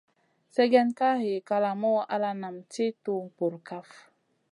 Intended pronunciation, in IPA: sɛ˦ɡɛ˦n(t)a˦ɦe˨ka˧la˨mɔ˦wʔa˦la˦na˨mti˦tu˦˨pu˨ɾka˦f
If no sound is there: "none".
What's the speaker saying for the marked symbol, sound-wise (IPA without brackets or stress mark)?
k